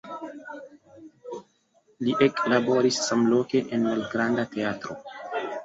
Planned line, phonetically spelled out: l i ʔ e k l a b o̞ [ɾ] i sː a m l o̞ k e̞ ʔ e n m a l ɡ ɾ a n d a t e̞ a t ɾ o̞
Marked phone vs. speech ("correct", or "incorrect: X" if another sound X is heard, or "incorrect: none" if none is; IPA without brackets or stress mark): correct